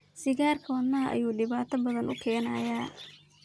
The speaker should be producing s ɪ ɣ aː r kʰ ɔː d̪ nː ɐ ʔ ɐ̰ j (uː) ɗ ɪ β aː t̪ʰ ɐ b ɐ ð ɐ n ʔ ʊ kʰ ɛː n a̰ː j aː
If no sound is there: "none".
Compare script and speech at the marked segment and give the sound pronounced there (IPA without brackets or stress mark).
uː